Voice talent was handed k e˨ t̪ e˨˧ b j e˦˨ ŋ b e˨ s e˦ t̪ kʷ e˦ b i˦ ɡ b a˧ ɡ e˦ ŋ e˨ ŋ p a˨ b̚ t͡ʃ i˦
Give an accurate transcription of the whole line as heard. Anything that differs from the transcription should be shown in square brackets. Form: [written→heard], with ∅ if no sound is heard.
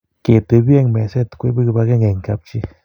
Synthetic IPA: k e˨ t̪ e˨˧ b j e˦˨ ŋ [b→m] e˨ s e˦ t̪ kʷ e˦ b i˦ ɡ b a˧ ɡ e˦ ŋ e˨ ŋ [p→k] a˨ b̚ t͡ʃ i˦